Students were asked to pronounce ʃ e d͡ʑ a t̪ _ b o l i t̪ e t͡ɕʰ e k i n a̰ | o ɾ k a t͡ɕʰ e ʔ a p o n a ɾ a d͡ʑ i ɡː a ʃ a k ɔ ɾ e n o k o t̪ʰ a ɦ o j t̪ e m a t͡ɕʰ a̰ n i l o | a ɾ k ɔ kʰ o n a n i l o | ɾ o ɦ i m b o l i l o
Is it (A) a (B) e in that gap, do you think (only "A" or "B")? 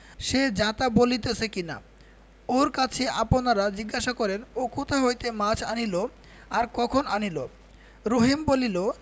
A